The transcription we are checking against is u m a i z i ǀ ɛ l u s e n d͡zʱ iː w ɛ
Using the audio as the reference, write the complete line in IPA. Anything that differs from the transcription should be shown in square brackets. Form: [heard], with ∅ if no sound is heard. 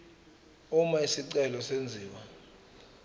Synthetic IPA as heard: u m a i [s] i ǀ ɛ l [ɔ] s e n d͡zʱ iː w [a]

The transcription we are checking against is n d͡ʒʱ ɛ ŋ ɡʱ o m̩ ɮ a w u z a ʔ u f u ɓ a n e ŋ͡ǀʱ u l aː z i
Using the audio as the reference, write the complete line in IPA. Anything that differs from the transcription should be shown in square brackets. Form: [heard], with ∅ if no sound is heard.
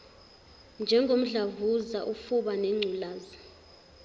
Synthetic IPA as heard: n d͡ʒʱ ɛ ŋ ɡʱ o m̩ ɮ a [v] u z a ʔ u f u ɓ a n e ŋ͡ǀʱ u l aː z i

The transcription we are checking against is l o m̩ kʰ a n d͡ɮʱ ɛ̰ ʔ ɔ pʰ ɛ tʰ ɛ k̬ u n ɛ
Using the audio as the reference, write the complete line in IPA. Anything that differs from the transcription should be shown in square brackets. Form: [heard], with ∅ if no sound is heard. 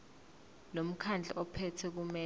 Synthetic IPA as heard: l o m̩ kʰ a n d͡ɮʱ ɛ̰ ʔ ɔ pʰ ɛ tʰ ɛ k̬ u [m] ɛ

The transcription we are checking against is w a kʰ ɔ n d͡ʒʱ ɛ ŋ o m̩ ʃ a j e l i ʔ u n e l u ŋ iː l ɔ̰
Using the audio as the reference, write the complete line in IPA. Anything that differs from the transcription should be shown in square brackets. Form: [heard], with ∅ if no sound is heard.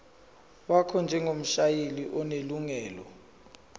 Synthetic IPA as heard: w a kʰ ɔ n d͡ʒʱ ɛ ŋ o m̩ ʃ a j e l i ʔ [ɔ] n e l u ŋ [ɛː] l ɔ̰

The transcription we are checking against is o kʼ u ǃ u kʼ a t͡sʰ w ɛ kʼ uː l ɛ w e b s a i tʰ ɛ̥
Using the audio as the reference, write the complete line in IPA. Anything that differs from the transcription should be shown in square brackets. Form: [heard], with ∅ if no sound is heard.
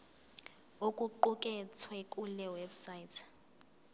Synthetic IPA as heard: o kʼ u ǃ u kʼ [ɛ] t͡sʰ w ɛ kʼ [u] l ɛ w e b s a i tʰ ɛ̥

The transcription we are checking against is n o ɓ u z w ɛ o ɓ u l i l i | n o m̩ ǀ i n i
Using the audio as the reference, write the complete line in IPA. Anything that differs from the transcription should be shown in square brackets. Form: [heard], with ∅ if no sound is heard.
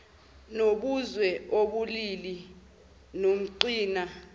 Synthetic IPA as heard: n o ɓ u z w ɛ o ɓ u l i l i | n o m̩ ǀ [iː] n [a]

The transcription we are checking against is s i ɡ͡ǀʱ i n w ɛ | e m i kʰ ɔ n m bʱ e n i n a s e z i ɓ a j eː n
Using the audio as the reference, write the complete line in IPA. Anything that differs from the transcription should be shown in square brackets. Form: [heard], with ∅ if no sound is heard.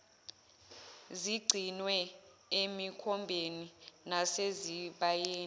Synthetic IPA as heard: [z] i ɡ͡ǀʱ i n w ɛ | e m i kʰ ɔ [∅] m bʱ e n i n a s e z i ɓ a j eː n

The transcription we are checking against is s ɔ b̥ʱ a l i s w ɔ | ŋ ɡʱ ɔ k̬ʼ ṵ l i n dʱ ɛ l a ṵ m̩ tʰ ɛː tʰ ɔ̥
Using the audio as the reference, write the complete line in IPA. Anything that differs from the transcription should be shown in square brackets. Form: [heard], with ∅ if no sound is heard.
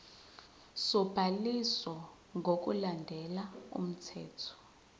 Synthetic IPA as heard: s ɔ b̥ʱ a l i s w ɔ | ŋ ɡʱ [o] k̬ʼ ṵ l [a] n dʱ ɛ l a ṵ m̩ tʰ ɛː tʰ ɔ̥

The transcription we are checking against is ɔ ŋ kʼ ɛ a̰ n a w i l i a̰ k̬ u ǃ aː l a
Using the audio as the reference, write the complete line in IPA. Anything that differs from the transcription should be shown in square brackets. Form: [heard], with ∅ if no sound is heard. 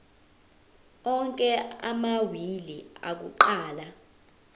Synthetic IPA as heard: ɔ ŋ kʼ ɛ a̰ [m] a w i l i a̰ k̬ u ǃ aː l a

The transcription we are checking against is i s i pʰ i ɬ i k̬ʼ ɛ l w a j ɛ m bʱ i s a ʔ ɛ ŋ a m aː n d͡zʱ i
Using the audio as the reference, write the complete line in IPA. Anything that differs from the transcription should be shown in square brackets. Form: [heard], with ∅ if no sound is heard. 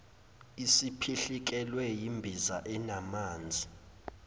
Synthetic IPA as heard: i s i pʰ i ɬ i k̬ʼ ɛ l w [ɛ] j [i] m bʱ i [z] a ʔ ɛ [n] a m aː n d͡zʱ i

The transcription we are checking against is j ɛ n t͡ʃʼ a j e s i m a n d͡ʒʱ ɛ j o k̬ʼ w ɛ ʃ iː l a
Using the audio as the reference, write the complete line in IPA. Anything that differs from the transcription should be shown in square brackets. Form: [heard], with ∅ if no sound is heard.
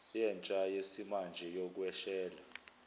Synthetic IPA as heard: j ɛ n t͡ʃʼ a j e s i m a n d͡ʒʱ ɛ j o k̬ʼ w ɛ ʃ [ɛː] l a

